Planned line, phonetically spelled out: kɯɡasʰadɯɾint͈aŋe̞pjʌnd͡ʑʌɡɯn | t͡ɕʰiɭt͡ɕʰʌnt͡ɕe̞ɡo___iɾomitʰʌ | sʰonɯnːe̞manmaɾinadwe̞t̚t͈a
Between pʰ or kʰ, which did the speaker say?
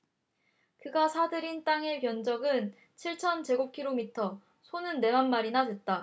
kʰ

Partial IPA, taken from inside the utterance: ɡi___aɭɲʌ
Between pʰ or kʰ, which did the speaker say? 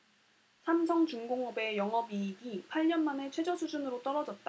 pʰ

